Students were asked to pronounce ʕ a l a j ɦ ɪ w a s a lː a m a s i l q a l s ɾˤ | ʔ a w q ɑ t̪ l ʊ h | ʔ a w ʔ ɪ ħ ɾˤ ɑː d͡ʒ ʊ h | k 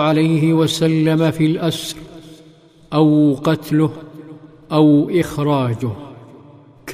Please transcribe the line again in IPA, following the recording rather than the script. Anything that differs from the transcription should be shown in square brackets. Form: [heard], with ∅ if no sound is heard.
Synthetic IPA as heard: ʕ a l a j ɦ ɪ w a s a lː a m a [f] i l [ʔ] a [∅] s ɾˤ | ʔ a w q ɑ t̪ l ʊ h | ʔ a w ʔ ɪ [x] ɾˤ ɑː d͡ʒ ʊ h | k